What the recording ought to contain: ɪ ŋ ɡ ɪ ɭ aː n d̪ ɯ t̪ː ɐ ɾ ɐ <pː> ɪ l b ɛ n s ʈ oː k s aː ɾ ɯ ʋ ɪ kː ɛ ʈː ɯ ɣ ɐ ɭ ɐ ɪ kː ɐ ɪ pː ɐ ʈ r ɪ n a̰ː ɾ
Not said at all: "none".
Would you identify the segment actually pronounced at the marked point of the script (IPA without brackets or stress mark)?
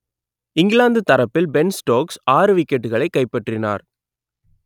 pː